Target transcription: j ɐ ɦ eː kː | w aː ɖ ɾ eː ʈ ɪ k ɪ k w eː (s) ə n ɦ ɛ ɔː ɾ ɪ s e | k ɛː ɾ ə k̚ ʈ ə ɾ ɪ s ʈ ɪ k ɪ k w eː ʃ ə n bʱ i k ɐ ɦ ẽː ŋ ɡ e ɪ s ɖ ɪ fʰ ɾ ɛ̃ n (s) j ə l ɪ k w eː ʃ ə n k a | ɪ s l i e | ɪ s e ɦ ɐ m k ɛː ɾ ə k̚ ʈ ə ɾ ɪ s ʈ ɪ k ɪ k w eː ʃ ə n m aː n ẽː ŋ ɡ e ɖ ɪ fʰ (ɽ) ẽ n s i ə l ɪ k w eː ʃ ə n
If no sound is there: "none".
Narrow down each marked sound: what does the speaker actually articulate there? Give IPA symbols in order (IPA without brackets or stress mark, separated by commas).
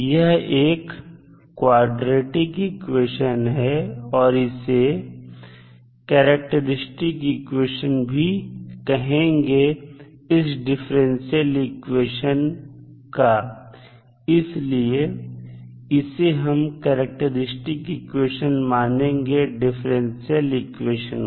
ʃ, s, ɾ